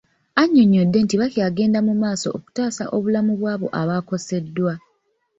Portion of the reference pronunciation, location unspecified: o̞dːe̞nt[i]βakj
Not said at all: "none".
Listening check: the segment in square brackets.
i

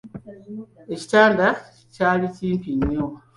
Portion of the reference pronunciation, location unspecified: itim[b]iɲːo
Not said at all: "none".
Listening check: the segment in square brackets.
p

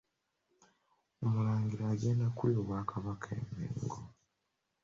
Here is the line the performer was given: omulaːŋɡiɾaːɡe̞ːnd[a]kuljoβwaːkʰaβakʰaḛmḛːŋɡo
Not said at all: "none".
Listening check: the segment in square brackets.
a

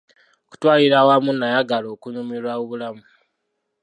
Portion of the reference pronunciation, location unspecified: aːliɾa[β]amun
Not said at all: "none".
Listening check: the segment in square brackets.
w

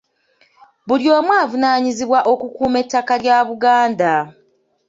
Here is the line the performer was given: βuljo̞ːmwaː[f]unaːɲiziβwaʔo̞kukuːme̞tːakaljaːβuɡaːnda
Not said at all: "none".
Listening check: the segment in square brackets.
v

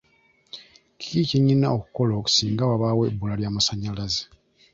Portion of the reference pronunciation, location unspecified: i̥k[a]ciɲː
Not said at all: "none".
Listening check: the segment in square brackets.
i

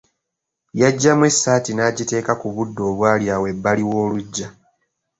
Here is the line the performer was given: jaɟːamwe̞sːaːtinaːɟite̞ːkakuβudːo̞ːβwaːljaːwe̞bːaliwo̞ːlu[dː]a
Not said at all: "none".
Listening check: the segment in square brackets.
ɟː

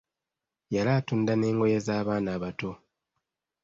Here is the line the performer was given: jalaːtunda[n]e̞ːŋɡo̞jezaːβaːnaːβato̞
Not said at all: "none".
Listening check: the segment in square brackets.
n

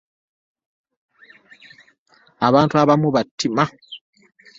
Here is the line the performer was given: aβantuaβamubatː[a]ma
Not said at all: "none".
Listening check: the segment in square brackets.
i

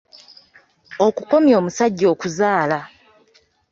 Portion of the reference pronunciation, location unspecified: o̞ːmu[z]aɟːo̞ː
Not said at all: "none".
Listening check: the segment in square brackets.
s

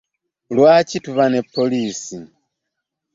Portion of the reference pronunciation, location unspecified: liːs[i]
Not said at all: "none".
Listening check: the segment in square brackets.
i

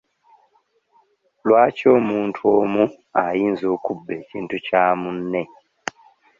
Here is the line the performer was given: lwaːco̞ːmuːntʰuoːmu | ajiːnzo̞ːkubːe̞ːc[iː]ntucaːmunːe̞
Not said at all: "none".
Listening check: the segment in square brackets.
iː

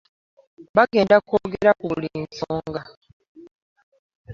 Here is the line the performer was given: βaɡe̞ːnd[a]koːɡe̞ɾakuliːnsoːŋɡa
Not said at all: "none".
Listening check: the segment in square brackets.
a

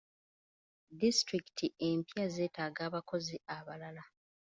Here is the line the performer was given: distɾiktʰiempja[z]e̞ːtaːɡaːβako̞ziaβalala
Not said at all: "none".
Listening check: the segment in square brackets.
z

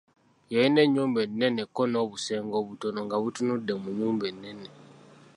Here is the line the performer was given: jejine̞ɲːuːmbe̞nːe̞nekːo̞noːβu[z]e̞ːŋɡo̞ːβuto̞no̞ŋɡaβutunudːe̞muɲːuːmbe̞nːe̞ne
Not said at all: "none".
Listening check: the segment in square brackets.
s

